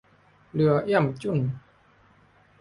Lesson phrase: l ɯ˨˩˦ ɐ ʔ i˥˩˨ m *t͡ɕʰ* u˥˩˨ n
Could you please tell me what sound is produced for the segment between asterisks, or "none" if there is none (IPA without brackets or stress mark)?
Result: t͡ɕ